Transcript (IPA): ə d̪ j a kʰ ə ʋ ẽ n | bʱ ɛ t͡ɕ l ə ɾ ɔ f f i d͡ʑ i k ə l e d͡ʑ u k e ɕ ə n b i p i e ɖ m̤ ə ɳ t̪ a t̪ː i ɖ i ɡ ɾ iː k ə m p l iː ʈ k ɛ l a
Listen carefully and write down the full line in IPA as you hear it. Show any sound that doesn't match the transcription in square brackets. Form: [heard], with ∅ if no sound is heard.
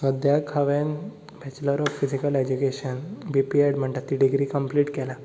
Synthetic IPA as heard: ə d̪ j a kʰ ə ʋ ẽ n | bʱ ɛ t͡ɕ l ə ɾ ɔ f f i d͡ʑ i k ə l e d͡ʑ u k e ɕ ə n b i p i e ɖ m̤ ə ɳ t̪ a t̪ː i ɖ i ɡ ɾ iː k ə m p l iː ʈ k ɛ l a